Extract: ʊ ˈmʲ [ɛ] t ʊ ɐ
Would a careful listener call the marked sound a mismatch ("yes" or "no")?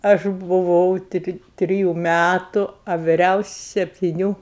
yes